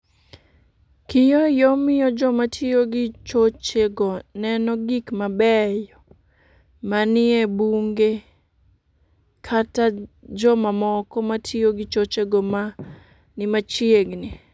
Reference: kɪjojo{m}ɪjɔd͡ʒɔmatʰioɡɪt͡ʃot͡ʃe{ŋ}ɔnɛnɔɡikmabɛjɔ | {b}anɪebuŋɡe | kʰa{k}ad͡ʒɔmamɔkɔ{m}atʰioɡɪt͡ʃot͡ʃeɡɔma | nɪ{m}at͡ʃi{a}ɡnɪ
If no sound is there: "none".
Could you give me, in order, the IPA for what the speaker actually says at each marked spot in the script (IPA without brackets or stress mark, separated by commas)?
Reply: m, ɡ, m, t, m, m, e